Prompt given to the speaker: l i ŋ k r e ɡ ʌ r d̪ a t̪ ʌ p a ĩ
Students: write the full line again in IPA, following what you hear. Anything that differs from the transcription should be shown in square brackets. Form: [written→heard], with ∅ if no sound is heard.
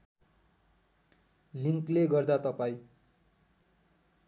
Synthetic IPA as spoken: l i ŋ k [r→l] e ɡ ʌ r d̪ a t̪ ʌ p a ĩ

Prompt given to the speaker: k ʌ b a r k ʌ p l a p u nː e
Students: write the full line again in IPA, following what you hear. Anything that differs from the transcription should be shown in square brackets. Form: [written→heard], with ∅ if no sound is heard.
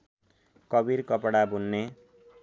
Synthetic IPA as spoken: k ʌ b [a→i] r k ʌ p [l→ɽ] a [p→b] u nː e

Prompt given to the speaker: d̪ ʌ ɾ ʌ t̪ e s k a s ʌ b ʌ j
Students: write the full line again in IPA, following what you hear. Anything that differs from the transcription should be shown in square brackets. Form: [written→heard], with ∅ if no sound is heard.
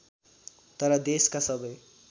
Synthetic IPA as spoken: [d̪→t̪] ʌ ɾ ʌ [t̪→d̪] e s k a s ʌ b ʌ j

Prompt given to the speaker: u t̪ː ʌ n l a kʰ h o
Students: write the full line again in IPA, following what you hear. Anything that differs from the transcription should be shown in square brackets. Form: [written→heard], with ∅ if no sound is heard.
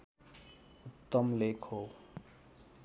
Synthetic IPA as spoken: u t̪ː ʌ [n→m] l [a→e] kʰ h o

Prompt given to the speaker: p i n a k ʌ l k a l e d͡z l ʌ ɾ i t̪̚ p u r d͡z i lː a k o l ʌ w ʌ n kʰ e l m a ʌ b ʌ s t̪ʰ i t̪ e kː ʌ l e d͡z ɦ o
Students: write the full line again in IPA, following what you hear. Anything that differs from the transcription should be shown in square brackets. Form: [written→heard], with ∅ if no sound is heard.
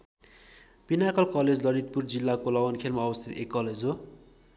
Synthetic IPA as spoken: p i n a k ʌ l k [a→ʌ] l e d͡z l ʌ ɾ i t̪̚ p u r d͡z i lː a k o l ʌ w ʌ n kʰ e l m a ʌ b ʌ s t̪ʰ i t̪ e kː ʌ l e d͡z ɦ o

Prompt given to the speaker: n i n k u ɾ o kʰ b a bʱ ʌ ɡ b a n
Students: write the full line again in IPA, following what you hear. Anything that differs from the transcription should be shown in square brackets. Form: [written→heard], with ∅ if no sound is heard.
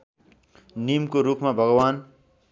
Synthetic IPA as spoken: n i [n→m] k [u→o] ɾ [o→u] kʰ [b→m] a bʱ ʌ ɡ [b→w] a n

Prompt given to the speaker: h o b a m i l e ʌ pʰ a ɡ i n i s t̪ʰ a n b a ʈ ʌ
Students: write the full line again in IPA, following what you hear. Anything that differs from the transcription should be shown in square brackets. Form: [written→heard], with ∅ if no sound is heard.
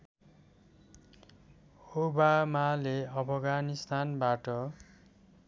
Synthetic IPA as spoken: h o b a m [i→a] l e ʌ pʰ [a→ʌ] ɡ [i→a] n i s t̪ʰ a n b a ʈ ʌ

